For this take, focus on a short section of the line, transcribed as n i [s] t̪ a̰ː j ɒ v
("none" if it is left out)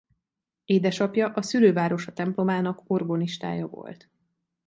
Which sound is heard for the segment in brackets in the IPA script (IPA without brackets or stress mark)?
ʃ